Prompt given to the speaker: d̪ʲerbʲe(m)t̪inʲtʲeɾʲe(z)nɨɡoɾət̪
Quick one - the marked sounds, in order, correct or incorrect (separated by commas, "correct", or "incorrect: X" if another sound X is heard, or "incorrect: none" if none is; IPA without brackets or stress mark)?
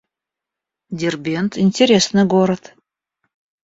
incorrect: n, incorrect: s